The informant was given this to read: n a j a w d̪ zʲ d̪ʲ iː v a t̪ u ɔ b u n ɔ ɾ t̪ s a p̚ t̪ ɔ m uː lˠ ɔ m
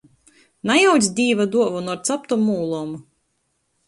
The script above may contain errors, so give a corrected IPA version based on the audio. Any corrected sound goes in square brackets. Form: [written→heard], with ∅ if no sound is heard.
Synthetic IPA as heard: n a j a w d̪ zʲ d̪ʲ iː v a [t̪→d̪] u ɔ [b→v] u n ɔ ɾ t̪ s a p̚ t̪ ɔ m uː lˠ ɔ m